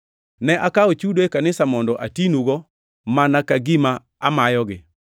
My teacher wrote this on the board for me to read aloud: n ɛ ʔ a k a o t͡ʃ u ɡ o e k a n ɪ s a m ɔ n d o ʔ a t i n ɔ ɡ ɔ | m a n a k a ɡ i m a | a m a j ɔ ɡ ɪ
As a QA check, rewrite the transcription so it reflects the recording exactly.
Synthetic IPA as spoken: n ɛ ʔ a k a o t͡ʃ u d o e k a n ɪ s a m ɔ n d ɔ ʔ a t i n u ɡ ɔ | m a n a k a ɡ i m a | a m a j ɔ ɡ ɪ

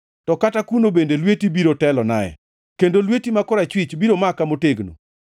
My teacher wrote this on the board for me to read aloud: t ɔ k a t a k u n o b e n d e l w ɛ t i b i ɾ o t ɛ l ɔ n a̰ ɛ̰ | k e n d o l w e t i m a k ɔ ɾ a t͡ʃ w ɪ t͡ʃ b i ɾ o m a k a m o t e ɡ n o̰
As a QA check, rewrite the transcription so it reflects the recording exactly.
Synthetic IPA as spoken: t ɔ k a t a k u n o b e n d e l w e t i b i ɾ o t ɛ l ɔ n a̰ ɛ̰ | k e n d o l w e t i m a k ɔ ɾ a t͡ʃ w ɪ t͡ʃ b i ɾ o m a k a m o t e ɡ n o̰

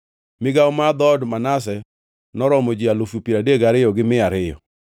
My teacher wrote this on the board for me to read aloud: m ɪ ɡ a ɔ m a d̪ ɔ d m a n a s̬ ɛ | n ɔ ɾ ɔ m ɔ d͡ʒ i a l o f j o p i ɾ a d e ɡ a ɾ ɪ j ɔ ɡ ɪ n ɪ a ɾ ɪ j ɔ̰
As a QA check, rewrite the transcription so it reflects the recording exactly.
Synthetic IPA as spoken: m ɪ ɡ a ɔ m a d̪ ɔ d m a n a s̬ ɛ | n ɔ ɾ ɔ m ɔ d͡ʒ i a l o f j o p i ɾ a d e ɡ a ɾ ɪ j ɔ ɡ ɪ m ɪ a ɾ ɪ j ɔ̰

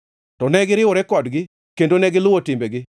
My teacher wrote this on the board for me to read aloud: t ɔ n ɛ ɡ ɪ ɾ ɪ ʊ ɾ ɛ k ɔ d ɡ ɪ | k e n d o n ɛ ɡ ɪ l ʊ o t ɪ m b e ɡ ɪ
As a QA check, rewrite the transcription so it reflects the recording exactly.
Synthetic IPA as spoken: t ɔ n ɛ ɡ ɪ ɾ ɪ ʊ ɾ ɛ k ɔ d ɡ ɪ | k e n d o n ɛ ɡ ɪ l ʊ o t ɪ m b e ɡ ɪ

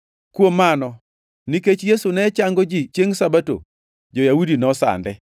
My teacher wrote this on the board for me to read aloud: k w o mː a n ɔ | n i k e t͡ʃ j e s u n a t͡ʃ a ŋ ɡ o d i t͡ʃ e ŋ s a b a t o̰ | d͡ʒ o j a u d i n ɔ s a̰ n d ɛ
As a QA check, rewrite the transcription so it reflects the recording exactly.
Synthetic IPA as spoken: k w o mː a n ɔ | n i k e t͡ʃ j e s u n ɛ t͡ʃ a ŋ ɡ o d͡ʒ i t͡ʃ e ŋ s a b a t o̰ | d͡ʒ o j a u d i n ɔ s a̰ n d ɛ

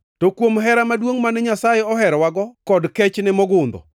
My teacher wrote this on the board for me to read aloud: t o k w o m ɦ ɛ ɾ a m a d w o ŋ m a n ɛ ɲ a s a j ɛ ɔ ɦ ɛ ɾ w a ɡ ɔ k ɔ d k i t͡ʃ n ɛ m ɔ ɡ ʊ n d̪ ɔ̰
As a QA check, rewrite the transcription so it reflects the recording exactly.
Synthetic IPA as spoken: t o k w o m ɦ ɛ ɾ a m a d w o ŋ m a n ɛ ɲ a s a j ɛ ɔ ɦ ɛ ɾ w a ɡ ɔ k ɔ d k ɛ t͡ʃ n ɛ m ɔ ɡ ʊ n d̪ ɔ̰

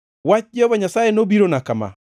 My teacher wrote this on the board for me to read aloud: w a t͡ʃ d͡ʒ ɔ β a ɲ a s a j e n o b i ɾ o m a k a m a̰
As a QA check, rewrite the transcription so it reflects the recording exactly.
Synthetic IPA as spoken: w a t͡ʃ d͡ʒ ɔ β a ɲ a s a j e n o b i ɾ o n a k a m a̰

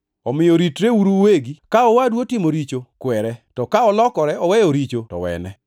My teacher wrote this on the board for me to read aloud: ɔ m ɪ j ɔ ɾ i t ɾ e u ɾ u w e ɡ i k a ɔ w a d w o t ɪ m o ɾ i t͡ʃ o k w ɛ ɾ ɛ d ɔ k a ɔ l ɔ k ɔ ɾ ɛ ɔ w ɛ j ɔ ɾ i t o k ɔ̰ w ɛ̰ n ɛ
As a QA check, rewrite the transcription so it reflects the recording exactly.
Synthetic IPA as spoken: ɔ m ɪ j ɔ ɾ i t ɾ e u ɾ u w e ɡ i k a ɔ w a d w o t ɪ m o ɾ i t͡ʃ o k w ɛ ɾ ɛ t ɔ k a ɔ l ɔ k ɔ ɾ ɛ ɔ w ɛ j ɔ ɾ i t͡ʃ o t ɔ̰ w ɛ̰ n ɛ

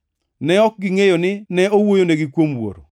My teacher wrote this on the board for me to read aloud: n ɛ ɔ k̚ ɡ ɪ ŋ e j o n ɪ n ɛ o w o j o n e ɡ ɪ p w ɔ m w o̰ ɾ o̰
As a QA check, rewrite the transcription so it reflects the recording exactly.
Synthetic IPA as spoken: n ɛ ɔ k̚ ɡ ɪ ŋ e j o n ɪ n ɛ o w o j o n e ɡ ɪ k w o m w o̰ ɾ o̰

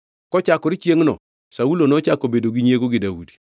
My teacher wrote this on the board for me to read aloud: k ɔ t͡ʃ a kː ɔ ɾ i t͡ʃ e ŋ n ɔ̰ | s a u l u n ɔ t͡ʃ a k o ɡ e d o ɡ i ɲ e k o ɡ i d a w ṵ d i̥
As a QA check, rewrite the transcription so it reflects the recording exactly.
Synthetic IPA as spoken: k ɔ t͡ʃ a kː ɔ ɾ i t͡ʃ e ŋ n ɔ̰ | s a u l o n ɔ t͡ʃ a k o b e d o ɡ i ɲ e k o ɡ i d a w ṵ d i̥

